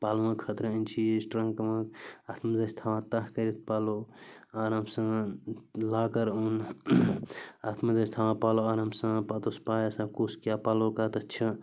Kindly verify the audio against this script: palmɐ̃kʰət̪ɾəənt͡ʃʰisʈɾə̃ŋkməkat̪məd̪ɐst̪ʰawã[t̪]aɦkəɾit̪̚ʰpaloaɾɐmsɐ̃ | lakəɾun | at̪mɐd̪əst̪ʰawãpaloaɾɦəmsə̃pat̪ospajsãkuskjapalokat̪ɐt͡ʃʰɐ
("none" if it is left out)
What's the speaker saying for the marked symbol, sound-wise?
t̪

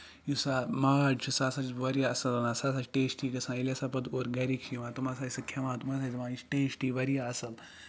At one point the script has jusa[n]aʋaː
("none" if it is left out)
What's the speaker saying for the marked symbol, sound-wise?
m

